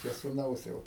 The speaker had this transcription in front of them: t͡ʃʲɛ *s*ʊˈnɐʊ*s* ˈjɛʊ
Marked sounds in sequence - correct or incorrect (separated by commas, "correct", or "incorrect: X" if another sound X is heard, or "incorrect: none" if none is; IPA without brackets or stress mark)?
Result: correct, correct